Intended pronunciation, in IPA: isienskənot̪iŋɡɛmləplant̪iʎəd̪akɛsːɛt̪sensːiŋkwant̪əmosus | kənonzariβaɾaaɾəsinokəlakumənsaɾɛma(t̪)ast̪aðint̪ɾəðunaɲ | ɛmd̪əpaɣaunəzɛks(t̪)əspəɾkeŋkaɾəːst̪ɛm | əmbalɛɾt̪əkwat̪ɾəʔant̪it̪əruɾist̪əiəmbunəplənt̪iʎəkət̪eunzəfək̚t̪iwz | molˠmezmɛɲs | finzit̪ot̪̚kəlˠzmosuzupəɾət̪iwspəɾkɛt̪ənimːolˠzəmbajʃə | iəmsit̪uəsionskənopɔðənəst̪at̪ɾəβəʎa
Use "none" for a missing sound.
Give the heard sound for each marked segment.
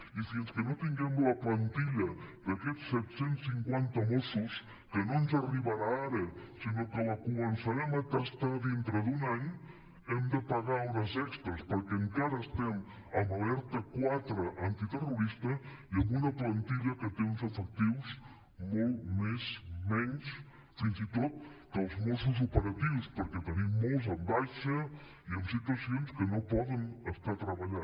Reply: t̪, t̪

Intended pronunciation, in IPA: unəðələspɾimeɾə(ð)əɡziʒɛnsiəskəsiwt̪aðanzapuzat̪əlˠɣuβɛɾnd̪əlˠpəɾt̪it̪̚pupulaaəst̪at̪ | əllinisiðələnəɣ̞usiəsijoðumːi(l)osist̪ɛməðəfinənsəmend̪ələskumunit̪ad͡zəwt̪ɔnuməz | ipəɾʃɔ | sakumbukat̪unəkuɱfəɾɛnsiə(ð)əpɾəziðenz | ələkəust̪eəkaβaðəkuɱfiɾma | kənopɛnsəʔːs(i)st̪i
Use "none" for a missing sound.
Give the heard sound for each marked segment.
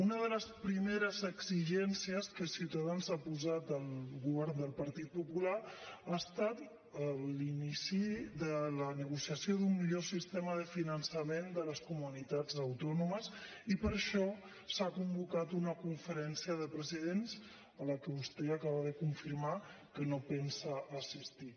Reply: z, ʎ, ð, i

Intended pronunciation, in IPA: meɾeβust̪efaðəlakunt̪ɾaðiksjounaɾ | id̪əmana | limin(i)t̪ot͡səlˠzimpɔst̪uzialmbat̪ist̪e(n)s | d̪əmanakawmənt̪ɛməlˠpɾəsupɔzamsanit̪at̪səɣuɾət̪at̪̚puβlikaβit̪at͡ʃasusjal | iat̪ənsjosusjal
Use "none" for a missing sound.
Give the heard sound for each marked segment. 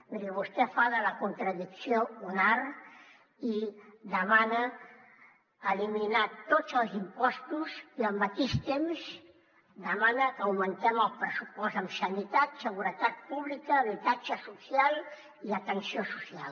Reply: a, m

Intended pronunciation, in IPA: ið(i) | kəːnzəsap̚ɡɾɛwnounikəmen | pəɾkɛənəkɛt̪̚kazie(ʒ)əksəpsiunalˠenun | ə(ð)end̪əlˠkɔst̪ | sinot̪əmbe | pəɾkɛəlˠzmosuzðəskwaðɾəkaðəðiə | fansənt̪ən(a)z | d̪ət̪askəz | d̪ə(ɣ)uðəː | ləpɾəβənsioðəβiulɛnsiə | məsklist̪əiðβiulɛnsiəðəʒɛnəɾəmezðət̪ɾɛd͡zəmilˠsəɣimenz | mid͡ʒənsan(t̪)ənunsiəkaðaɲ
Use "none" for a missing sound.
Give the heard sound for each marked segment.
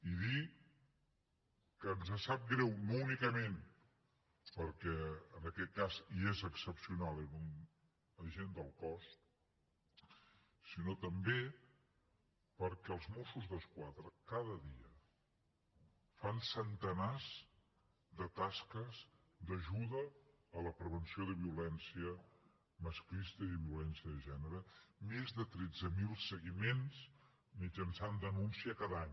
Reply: i, z, ʒ, a, ʒ, d̪

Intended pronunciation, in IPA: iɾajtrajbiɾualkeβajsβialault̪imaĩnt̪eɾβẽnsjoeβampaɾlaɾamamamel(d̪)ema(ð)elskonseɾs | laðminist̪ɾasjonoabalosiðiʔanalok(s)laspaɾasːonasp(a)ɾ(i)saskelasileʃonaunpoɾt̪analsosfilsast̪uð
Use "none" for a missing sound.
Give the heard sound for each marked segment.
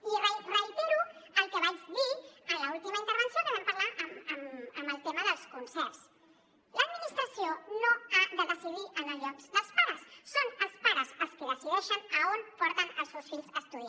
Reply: t̪, ð, s, a, a

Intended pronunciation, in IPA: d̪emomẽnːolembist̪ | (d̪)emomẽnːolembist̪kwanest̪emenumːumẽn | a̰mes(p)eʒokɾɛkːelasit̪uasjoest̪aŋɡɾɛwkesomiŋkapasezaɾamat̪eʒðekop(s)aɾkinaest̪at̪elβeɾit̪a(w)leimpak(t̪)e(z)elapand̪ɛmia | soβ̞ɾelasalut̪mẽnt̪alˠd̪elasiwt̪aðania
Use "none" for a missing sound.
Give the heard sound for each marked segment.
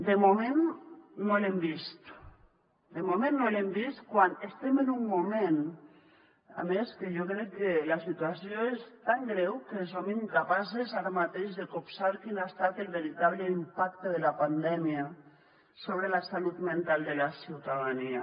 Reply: d̪, k, s, β, t̪, ð

